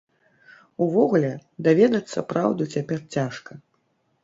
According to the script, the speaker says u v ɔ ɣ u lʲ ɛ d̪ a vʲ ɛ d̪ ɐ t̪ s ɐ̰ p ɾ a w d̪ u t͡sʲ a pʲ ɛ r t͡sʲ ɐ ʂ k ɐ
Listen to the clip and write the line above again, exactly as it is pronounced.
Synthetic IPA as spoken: u v ɔ ɣ u lʲ ɛ d̪ a vʲ ɛ d̪ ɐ t̪ sː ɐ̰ p ɾ a w d̪ u t͡sʲ a pʲ ɛ r t͡sʲ a ʂ k ɐ